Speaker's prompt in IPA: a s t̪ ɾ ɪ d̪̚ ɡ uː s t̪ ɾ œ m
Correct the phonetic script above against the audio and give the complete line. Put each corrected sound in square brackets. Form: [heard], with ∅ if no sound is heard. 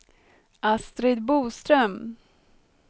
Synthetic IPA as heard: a s t̪ ɾ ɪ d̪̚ [b] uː s t̪ ɾ œ m